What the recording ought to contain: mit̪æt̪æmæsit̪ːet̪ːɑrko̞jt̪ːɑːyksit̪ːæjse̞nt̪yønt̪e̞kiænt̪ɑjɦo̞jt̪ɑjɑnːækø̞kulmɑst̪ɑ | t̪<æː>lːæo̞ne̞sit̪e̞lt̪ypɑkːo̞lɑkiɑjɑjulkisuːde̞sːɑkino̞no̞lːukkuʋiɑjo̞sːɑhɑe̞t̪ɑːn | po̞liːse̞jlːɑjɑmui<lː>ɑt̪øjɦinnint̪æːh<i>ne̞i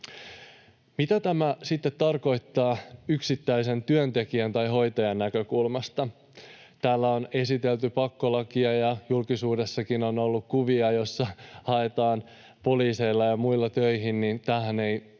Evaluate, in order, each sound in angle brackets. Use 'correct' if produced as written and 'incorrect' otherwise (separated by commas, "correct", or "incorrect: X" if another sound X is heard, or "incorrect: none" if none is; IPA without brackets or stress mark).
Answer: correct, correct, incorrect: æ